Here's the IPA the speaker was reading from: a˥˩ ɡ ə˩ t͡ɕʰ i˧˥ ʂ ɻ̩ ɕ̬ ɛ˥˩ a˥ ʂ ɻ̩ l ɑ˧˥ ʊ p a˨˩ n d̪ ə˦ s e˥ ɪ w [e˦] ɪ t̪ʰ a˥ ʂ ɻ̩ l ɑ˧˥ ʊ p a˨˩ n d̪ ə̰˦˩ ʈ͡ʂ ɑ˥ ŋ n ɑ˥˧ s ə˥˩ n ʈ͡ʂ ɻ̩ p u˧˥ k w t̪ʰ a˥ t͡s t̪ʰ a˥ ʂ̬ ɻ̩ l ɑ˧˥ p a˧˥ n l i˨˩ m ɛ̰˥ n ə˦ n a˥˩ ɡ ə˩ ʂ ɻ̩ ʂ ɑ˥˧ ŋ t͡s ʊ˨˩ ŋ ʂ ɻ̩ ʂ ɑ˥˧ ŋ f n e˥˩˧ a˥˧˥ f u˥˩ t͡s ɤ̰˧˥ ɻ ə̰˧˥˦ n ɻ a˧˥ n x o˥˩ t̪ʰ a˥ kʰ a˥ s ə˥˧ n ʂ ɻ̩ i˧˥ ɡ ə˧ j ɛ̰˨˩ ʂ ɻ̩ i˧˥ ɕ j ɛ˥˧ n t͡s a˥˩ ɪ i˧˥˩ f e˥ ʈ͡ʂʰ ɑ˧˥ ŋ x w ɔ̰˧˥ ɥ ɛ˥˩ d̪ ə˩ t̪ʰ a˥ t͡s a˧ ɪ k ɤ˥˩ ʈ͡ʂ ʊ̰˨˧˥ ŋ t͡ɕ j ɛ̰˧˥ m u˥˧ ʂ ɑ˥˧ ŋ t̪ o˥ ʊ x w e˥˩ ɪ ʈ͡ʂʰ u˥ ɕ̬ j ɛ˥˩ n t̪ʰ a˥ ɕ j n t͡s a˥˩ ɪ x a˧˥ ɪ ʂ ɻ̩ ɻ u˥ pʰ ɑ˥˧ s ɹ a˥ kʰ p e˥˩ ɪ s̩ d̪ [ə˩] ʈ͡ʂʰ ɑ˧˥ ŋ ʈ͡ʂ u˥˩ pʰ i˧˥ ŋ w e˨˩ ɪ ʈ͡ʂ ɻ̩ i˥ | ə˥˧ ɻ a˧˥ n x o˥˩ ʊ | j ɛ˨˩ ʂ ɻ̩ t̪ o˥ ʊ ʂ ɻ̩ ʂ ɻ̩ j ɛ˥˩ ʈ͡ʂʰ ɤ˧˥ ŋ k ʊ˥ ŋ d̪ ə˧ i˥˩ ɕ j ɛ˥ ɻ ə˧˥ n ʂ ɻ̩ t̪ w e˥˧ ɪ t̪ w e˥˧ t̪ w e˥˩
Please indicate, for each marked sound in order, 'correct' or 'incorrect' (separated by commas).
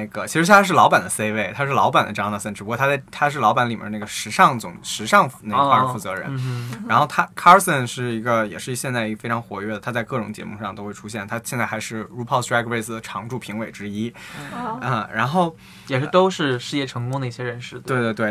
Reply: incorrect, correct